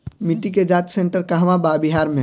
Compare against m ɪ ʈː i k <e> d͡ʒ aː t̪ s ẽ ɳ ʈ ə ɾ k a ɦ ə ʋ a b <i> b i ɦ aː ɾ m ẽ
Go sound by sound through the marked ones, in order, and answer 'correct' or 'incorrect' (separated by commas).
correct, incorrect